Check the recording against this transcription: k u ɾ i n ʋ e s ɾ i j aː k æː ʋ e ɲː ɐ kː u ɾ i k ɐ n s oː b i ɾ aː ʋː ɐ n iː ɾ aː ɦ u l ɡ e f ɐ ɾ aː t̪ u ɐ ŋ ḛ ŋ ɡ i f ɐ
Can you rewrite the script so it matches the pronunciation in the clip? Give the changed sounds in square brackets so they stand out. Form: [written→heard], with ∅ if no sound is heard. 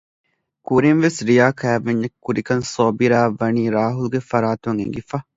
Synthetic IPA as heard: k u ɾ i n ʋ e s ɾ i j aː k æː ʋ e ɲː ɐ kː u ɾ i k ɐ n s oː b i ɾ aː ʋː ɐ n iː ɾ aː ɦ u l ɡ e f ɐ ɾ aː t̪ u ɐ ŋ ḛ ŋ ɡ i f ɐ